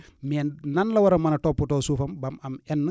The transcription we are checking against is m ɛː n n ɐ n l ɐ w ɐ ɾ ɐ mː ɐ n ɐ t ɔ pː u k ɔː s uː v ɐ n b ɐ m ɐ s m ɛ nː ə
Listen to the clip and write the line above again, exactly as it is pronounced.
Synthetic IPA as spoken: m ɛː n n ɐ n l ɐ w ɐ ɾ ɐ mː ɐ n ɐ t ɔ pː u t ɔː s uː f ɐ m b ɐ m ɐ m ɛ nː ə